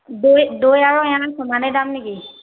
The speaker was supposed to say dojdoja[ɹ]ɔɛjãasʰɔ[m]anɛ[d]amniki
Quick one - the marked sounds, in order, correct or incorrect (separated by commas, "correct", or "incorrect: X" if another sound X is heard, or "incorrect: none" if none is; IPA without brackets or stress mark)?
correct, correct, correct